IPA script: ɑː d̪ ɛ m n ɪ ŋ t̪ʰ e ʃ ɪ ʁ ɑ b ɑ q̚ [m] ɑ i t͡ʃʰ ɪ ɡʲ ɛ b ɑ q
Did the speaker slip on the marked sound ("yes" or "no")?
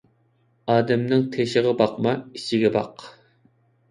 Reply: no